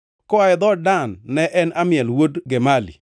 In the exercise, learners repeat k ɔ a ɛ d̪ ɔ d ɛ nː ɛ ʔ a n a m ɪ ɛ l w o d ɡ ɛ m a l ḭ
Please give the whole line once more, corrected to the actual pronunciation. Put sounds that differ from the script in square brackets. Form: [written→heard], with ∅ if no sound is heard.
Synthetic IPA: k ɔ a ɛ d̪ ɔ d [ɛ→a] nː ɛ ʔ [a→ɛ] n a m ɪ ɛ l w o d ɡ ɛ m a l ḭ